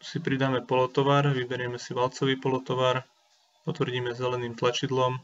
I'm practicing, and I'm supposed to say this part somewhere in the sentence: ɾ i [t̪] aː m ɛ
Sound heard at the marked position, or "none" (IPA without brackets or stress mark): d̪